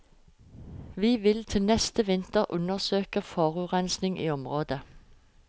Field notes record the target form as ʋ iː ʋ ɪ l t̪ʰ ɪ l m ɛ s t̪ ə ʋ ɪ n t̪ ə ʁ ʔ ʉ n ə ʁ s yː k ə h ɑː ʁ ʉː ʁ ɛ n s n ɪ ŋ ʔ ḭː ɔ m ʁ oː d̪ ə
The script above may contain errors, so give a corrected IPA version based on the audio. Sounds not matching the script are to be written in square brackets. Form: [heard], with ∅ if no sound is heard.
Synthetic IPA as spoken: ʋ iː ʋ ɪ l t̪ʰ ɪ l [n] ɛ s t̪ ə ʋ ɪ n t̪ ə ʁ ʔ ʉ n ə ʁ s [øː] k ə [f] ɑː ʁ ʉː ʁ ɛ n s n ɪ ŋ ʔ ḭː ɔ m ʁ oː d̪ ə